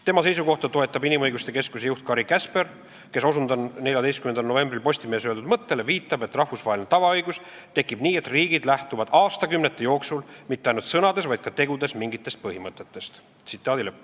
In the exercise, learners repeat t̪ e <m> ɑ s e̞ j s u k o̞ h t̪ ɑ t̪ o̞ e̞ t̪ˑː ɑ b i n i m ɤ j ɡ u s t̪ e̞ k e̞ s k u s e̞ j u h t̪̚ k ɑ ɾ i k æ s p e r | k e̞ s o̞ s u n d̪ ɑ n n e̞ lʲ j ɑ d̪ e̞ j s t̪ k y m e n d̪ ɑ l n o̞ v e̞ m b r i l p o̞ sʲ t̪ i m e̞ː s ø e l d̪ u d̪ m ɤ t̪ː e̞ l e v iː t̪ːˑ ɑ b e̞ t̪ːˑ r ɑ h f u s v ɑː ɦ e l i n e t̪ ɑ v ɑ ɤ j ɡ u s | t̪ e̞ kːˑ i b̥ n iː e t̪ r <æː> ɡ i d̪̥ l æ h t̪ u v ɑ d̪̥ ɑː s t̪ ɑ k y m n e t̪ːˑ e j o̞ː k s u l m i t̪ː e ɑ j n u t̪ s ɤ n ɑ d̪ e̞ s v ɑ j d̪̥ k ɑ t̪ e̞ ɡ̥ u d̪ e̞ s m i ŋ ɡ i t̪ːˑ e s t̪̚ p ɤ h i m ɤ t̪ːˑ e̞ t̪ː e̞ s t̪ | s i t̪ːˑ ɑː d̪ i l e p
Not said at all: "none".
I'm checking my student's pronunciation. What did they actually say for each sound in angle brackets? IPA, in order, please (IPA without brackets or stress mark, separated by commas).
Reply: m, iː